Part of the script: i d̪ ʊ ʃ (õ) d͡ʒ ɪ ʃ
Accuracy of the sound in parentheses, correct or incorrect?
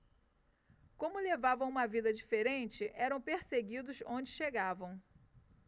correct